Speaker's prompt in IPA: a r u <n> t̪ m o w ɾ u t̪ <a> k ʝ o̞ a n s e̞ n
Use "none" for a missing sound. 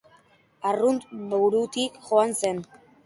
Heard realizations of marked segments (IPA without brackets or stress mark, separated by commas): n, i